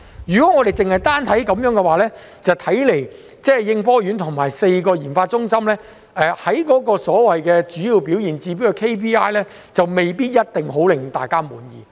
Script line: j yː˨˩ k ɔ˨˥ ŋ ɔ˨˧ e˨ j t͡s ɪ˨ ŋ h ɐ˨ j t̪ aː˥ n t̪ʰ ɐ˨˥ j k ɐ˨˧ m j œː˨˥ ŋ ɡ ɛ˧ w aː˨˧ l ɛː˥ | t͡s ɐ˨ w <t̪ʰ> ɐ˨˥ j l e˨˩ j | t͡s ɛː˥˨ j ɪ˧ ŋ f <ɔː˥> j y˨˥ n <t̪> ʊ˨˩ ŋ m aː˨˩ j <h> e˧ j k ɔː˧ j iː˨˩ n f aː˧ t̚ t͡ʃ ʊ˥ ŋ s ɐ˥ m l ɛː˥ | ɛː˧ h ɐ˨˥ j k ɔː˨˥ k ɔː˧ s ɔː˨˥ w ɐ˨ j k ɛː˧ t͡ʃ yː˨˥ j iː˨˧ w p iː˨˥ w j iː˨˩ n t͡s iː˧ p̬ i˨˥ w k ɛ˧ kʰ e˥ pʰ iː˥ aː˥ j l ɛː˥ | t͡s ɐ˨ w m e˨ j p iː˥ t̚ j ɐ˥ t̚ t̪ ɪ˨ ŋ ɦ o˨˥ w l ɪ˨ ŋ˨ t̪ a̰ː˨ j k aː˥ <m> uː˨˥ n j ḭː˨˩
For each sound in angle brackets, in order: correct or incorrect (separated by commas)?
correct, correct, incorrect, incorrect, correct